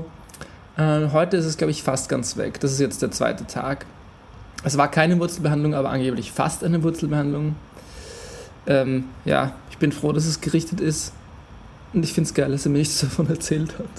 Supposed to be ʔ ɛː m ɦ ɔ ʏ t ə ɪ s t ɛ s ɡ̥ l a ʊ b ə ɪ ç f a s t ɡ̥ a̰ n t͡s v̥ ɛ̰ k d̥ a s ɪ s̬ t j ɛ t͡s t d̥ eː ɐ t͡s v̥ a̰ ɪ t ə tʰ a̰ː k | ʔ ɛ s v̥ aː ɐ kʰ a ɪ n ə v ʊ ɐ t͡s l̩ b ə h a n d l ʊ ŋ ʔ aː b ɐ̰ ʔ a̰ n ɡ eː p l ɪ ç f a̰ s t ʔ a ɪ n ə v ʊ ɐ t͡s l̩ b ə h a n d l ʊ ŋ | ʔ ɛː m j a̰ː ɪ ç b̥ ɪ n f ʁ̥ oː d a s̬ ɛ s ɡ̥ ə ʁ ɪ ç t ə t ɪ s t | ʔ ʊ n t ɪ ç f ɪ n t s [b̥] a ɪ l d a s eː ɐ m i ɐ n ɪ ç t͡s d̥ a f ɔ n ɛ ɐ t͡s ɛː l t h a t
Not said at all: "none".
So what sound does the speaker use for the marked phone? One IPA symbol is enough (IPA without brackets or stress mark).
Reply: ɡ̥